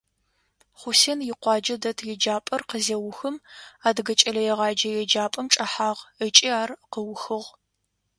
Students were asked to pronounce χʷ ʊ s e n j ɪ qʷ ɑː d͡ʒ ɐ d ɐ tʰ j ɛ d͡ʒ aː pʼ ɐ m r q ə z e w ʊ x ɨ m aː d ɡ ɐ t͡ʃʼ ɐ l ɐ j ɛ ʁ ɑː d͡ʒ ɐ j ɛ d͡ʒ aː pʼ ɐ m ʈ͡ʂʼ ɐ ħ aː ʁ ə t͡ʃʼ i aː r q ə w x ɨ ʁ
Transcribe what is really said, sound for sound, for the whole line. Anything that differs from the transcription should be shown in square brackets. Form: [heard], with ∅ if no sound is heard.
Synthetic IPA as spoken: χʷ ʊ s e n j ɪ qʷ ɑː d͡ʒ ɐ d ɐ tʰ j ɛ d͡ʒ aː pʼ ɐ [∅] r q ə z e w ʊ x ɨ m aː d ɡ ɐ t͡ʃʼ ɐ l ɐ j ɛ ʁ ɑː d͡ʒ ɐ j ɛ d͡ʒ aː pʼ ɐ m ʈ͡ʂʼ ɐ ħ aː ʁ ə t͡ʃʼ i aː r q ə w x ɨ ʁ